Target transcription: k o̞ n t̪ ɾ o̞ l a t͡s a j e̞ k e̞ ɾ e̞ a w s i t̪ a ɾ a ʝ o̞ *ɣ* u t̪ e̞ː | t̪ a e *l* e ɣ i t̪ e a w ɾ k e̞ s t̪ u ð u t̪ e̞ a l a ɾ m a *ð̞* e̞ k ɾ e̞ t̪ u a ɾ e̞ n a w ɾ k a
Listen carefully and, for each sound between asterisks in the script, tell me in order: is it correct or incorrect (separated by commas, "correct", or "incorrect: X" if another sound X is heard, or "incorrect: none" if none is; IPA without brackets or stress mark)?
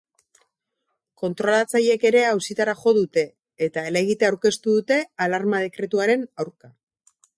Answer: incorrect: ð, correct, correct